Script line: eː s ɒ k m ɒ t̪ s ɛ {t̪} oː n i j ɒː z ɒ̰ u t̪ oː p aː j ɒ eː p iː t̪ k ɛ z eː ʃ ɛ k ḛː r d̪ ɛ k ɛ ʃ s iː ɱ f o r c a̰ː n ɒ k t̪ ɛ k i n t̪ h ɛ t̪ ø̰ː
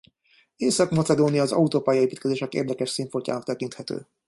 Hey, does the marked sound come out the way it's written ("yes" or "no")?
no